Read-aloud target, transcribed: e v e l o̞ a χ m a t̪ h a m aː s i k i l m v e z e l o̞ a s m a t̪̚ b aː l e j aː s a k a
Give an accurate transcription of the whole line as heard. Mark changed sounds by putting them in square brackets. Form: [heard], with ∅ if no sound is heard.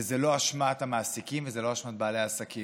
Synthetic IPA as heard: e [z] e l o̞ a [ʃ] m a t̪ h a m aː s i k i [∅] m v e z e l o̞ a [ʃ] m a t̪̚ b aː l e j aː s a k [i]

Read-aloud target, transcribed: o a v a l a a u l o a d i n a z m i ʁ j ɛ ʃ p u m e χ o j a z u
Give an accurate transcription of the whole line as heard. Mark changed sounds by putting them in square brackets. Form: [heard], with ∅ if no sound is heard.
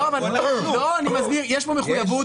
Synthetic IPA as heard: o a v a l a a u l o a [n] i [m] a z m i ʁ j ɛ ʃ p [o] m e χ [u] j a [v] u

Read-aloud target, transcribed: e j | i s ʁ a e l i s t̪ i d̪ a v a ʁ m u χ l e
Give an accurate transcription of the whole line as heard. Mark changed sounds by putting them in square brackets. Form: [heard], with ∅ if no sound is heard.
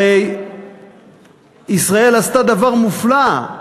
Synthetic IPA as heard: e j | i s ʁ a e l [a] s t̪ [a] d̪ a v a ʁ m u [f] l [a]

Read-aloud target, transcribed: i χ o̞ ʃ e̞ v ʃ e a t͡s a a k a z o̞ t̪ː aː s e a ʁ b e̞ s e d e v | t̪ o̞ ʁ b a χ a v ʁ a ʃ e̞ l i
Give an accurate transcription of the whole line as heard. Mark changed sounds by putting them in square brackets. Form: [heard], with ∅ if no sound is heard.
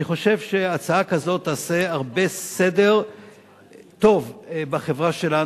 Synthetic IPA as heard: i χ o̞ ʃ e̞ v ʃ e a t͡s a a k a z o̞ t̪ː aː s e a ʁ b e̞ s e d e [ʁ] | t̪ o̞ [v] b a χ [e] v ʁ a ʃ e̞ l [a]

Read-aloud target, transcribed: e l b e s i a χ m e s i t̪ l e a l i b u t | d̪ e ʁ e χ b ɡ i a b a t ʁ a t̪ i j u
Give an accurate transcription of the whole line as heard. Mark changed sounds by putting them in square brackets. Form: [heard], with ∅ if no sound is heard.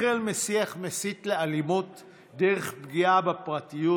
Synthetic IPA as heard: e l [m] e s i a χ m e s i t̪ l e a l i [m] u t | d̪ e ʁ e χ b ɡ i a b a [p] ʁ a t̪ i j u

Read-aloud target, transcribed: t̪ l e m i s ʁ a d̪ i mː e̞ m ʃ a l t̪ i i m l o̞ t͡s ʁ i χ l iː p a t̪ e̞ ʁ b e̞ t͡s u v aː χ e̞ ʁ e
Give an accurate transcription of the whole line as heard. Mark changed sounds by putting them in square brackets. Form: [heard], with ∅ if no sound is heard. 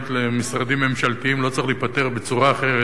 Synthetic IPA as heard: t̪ l e m i s ʁ a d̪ i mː e̞ m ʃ a l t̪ i i m l o̞ t͡s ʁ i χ l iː p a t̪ e̞ ʁ b e̞ t͡s u [ʁ] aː χ e̞ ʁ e

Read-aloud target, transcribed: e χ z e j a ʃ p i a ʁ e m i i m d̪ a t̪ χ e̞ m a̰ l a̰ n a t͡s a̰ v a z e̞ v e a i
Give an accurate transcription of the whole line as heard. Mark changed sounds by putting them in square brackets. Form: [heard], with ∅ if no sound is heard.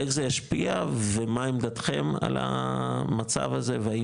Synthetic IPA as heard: e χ z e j a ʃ p i a [v] e m [a] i m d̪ a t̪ χ e̞ m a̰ l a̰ [m] a t͡s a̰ v a z e̞ v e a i

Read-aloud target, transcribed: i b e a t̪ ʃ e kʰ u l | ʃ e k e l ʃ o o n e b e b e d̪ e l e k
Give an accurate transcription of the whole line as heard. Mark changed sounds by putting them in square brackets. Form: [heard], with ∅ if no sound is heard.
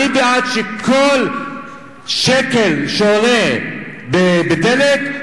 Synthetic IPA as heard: i b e a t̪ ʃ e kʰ [o] l | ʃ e k e l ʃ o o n e b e b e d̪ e l e k

